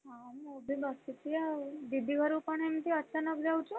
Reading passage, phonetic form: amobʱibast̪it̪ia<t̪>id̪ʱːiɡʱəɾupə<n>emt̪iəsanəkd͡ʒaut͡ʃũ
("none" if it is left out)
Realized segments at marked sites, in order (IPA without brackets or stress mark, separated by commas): d̪, ɳ